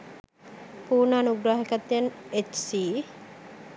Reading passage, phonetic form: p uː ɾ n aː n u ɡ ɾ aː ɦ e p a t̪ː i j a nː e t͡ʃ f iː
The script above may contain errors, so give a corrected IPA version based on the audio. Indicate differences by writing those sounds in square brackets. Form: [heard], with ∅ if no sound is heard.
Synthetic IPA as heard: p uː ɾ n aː n u ɡ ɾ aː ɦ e [k] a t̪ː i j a [n] e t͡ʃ [s] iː